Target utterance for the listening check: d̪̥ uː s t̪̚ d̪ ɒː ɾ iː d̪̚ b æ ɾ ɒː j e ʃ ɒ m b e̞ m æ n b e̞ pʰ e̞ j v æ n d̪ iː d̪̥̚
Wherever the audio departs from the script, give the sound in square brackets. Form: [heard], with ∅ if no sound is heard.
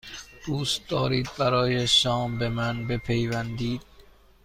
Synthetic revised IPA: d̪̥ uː s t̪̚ d̪ ɒː ɾ iː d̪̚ b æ ɾ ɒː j e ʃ [ɒː] m b e̞ m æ n b e̞ pʰ e̞ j v æ n d̪ iː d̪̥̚